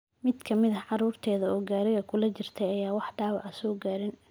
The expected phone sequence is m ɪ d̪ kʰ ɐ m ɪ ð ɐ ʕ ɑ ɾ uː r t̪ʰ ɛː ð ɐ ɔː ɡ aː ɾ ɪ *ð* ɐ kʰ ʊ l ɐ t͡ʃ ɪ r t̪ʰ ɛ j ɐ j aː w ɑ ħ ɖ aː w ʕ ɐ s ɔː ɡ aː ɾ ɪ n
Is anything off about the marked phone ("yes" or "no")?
yes